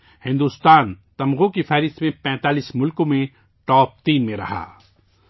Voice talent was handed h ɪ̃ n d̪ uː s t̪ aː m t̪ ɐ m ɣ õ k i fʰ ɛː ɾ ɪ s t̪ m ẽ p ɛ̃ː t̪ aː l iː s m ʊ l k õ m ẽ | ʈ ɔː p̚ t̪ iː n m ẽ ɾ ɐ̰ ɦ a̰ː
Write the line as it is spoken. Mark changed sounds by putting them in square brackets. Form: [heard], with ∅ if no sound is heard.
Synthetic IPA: h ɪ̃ n d̪ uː s t̪ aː [n] t̪ ɐ m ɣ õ k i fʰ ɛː ɾ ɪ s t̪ m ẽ p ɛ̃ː t̪ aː l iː s m ʊ l k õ m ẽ | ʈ ɔː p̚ t̪ iː n m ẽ ɾ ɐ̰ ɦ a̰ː